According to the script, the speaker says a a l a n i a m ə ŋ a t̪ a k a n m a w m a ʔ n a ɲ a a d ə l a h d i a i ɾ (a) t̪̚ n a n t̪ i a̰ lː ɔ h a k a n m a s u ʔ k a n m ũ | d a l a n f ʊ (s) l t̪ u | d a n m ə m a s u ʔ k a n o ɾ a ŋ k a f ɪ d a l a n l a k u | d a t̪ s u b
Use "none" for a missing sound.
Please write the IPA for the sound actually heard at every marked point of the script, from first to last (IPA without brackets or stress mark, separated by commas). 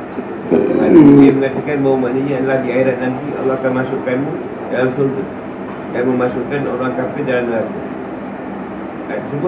a, none